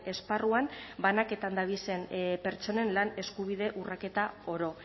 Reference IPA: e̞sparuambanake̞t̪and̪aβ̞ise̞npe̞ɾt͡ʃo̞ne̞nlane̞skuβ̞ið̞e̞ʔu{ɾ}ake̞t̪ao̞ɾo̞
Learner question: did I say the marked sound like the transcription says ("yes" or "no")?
no